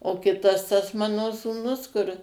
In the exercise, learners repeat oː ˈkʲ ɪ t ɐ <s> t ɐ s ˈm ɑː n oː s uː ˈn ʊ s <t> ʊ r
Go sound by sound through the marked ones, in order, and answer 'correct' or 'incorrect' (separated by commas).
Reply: correct, incorrect